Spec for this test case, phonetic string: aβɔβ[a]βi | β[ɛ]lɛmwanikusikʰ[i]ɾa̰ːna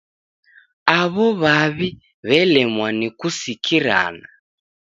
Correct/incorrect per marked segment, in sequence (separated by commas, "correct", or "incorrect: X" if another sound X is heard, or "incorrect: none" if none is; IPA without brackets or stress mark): correct, correct, correct